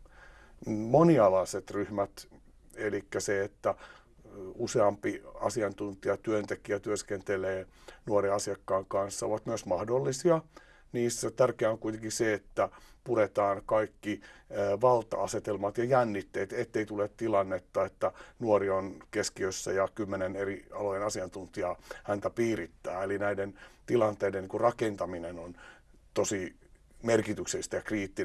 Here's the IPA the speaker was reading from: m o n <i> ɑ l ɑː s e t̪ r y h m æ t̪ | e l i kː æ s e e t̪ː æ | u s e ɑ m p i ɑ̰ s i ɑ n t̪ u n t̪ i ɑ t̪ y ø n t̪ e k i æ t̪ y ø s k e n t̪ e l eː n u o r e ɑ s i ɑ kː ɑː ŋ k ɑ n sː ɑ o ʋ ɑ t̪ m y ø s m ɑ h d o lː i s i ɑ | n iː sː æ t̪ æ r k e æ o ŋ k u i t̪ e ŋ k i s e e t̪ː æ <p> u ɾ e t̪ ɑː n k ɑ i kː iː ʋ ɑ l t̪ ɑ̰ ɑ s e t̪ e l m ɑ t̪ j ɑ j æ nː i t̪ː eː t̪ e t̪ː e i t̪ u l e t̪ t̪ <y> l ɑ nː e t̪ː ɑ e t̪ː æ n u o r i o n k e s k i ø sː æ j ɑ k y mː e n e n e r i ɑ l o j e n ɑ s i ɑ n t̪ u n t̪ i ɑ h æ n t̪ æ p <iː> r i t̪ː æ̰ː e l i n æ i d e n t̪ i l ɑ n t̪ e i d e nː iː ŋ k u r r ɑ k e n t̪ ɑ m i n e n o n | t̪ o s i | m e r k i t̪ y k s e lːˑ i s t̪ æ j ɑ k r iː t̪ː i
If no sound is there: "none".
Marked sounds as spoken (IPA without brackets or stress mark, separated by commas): i, p, i, iː